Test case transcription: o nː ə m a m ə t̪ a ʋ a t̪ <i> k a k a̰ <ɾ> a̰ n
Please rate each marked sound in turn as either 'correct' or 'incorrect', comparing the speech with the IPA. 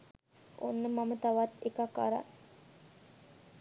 incorrect: e, correct

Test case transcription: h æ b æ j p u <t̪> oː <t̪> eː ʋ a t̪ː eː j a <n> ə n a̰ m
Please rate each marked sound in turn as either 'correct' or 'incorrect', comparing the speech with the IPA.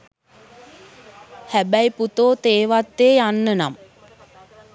correct, correct, incorrect: nː

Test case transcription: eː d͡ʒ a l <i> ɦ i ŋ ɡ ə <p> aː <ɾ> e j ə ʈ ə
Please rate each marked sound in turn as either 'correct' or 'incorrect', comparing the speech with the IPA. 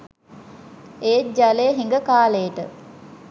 incorrect: e, incorrect: k, incorrect: l

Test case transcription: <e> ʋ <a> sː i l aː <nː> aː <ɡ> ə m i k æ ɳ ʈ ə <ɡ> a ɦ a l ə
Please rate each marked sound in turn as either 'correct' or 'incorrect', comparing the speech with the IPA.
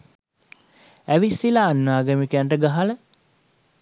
incorrect: æ, incorrect: i, correct, correct, correct

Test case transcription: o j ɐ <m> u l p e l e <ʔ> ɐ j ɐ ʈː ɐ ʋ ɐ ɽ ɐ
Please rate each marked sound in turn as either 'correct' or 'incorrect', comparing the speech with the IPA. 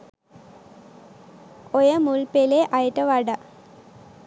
correct, correct

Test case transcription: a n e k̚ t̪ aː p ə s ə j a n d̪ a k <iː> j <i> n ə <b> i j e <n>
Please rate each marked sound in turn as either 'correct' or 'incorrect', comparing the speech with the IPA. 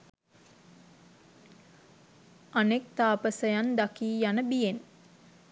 correct, incorrect: a, correct, correct

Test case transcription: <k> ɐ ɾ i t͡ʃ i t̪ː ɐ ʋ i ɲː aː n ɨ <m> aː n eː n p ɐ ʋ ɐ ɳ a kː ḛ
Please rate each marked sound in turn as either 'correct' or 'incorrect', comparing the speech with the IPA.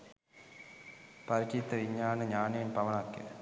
incorrect: p, incorrect: ɲ

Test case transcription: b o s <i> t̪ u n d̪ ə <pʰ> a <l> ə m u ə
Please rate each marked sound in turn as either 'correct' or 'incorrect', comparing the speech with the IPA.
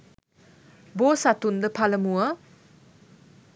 incorrect: a, correct, correct

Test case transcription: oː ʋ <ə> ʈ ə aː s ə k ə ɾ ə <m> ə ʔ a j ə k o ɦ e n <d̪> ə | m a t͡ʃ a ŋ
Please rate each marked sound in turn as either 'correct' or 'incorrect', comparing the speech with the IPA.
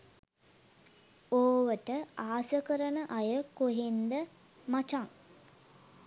correct, incorrect: n, correct

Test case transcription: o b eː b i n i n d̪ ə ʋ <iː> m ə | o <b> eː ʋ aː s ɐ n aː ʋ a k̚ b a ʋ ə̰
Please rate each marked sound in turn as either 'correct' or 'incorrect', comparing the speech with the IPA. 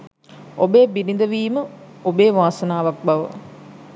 correct, correct

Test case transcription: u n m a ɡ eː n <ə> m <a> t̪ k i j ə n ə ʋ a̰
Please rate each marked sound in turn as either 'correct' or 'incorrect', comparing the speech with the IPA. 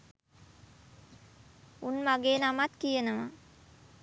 incorrect: a, correct

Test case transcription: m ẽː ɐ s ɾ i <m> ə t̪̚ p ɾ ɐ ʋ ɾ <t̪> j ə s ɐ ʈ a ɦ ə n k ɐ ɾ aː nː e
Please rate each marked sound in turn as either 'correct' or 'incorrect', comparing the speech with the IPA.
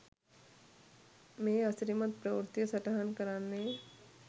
correct, correct

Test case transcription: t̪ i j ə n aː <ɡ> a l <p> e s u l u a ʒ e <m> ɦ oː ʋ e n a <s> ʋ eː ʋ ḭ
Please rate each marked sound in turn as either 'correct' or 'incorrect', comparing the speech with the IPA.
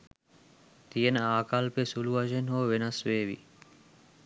incorrect: k, correct, incorrect: n, correct

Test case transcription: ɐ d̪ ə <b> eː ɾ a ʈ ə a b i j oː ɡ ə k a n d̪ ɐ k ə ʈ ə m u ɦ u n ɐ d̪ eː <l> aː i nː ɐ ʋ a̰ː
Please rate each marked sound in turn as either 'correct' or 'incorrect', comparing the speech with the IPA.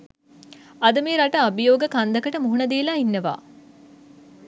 incorrect: m, correct

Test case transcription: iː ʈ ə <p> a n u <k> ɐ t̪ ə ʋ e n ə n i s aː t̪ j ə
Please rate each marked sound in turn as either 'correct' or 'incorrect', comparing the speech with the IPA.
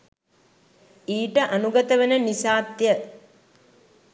incorrect: ʔ, incorrect: ɡ

